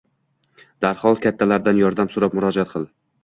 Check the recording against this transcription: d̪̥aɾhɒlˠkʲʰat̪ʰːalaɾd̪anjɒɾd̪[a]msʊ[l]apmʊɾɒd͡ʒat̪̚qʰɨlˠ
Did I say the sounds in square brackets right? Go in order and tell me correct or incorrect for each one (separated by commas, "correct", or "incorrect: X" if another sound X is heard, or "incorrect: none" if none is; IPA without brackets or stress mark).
correct, incorrect: ɾ